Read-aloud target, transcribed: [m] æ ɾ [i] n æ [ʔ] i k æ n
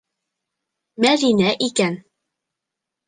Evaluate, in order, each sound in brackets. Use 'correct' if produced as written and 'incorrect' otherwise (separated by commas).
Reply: correct, correct, correct